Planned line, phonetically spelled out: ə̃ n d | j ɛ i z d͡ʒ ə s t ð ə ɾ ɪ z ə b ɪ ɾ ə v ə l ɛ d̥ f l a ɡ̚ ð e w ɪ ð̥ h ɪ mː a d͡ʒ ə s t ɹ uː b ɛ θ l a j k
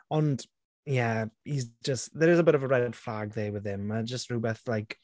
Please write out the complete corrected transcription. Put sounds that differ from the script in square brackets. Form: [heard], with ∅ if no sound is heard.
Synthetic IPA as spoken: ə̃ n d | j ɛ i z d͡ʒ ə s t ð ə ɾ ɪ z ə b ɪ ɾ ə v ə [ɹ] ɛ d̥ f l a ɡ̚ ð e w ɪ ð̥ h ɪ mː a d͡ʒ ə s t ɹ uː b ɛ θ l a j k